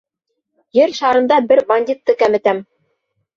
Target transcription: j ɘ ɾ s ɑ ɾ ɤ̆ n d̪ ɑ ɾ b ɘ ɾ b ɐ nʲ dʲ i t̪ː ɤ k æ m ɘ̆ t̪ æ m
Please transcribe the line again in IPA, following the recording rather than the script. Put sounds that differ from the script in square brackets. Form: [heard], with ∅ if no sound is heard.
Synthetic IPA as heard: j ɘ ɾ [ʃ] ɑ ɾ ɤ̆ n d̪ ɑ [∅] b ɘ ɾ b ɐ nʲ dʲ i t̪ː ɤ k æ m ɘ̆ t̪ æ m